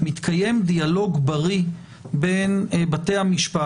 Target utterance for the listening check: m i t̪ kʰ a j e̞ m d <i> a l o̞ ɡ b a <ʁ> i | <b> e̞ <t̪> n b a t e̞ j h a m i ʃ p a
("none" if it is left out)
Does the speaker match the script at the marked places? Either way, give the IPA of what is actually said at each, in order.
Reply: i, ʁ, b, none

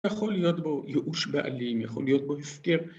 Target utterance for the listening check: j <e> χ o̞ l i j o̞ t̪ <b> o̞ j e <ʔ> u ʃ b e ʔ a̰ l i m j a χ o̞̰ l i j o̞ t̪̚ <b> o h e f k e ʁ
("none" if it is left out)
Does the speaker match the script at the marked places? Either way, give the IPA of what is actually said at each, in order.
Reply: a, b, ʔ, b

